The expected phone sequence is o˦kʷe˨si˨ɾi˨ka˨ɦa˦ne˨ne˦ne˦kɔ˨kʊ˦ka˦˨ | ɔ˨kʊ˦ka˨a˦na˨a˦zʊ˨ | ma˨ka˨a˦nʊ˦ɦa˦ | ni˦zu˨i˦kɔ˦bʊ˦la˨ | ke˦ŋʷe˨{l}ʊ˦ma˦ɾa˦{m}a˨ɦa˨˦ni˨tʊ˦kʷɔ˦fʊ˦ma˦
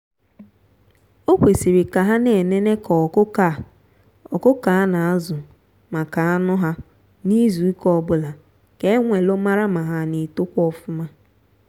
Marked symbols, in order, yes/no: yes, yes

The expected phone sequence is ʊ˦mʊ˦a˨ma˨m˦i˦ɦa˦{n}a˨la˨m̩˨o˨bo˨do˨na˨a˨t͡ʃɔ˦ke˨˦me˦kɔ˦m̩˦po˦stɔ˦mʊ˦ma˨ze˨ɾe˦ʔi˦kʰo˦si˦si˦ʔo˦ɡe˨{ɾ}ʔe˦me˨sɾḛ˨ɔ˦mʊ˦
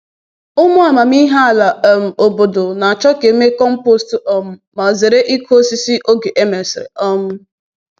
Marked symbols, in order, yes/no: no, no

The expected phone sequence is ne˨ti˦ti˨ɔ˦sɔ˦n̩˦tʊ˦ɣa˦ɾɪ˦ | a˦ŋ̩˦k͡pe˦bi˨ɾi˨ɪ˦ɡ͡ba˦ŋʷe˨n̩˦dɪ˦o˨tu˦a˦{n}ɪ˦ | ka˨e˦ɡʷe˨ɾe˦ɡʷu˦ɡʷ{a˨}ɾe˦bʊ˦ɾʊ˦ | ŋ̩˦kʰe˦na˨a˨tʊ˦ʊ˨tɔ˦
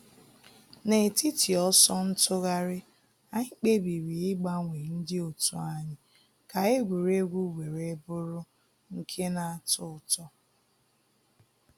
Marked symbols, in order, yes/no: no, no

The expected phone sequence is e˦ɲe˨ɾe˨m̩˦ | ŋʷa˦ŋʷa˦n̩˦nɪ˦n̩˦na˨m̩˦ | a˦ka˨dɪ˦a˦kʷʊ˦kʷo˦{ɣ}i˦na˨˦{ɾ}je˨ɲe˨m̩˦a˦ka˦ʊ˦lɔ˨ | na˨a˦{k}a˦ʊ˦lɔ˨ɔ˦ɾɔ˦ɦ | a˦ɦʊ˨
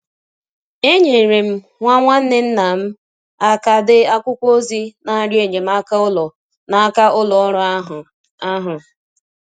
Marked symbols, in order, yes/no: no, yes, yes

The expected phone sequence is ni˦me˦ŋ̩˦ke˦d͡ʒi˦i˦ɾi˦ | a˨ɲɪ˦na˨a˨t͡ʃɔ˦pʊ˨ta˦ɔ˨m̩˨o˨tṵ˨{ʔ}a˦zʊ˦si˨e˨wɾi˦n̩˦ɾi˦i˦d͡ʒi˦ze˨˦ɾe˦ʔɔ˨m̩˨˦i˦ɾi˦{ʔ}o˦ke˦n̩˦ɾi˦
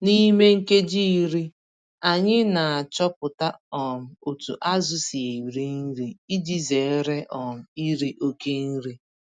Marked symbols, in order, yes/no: yes, yes

